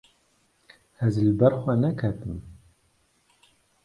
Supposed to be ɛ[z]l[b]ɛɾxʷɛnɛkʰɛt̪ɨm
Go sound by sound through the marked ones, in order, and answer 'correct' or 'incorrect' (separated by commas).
correct, correct